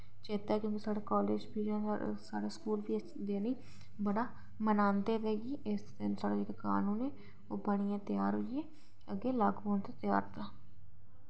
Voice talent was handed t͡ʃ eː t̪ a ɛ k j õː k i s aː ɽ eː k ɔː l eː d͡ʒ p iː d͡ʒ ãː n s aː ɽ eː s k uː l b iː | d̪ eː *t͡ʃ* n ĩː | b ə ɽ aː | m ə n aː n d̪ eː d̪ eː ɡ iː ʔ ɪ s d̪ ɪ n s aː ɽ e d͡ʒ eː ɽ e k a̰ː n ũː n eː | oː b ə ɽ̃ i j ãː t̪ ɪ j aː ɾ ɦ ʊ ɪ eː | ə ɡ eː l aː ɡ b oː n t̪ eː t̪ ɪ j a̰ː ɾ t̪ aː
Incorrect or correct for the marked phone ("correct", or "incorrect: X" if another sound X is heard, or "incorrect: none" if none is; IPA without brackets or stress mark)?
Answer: incorrect: none